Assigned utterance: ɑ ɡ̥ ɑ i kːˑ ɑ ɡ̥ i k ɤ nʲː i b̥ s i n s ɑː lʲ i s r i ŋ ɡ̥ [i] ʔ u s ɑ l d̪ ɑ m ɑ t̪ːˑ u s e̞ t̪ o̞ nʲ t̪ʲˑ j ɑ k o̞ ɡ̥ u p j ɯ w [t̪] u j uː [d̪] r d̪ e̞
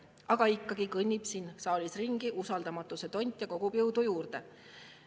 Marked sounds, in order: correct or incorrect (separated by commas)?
correct, incorrect, incorrect